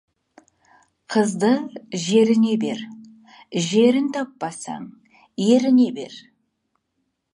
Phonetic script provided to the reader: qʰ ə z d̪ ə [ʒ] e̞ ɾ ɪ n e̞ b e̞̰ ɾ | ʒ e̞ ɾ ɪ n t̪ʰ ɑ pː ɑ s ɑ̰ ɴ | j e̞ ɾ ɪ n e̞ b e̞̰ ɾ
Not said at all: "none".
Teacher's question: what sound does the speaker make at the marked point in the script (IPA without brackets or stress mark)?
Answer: ʒ